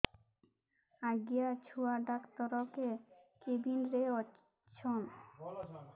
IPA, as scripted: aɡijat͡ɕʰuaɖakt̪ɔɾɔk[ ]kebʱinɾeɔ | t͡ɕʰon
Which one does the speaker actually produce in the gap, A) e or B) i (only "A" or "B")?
A